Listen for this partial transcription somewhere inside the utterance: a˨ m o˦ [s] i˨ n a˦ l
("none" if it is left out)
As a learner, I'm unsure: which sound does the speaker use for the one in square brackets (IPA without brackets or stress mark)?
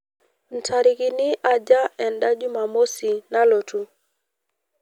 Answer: s